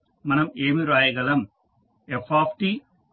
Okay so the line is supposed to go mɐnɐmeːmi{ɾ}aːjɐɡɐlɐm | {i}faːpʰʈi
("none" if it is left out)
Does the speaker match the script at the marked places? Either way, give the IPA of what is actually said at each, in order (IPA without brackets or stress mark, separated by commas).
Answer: ɾ, e